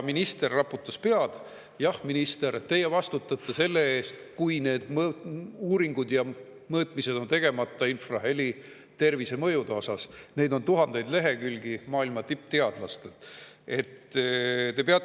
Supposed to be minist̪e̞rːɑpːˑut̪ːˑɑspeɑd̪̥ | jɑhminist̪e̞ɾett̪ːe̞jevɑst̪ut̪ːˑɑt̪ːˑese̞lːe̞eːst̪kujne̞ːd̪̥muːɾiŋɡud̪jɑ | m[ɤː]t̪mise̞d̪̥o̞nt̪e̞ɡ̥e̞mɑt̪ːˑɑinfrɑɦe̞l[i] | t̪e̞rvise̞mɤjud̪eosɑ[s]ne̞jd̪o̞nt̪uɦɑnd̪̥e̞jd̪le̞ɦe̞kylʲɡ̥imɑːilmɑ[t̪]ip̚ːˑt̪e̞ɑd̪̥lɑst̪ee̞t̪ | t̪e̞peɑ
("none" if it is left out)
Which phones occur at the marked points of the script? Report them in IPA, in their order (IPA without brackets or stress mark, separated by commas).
ɤː, i, s, t̪